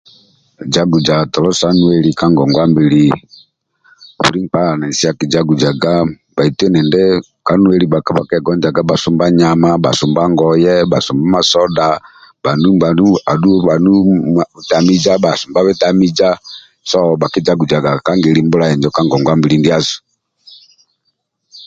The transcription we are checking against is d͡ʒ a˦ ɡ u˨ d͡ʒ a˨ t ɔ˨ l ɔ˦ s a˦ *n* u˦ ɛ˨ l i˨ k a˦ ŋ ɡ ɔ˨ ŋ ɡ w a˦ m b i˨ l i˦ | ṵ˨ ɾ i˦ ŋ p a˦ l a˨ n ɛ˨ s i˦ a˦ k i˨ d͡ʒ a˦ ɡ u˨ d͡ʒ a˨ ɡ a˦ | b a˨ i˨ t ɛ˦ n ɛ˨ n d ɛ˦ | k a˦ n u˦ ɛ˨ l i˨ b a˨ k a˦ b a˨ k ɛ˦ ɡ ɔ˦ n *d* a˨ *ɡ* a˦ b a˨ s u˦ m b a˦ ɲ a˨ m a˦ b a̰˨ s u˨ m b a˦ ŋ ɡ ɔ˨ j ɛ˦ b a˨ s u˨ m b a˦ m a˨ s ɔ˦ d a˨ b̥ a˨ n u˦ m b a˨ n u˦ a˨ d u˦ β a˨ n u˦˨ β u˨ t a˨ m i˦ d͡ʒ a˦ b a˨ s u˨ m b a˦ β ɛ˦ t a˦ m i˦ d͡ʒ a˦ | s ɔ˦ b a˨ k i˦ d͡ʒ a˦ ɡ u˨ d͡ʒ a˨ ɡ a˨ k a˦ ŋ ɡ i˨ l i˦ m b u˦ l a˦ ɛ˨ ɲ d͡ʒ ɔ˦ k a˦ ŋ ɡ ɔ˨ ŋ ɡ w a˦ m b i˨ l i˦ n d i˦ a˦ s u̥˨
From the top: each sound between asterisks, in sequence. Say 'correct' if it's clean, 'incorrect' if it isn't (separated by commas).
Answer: correct, incorrect, correct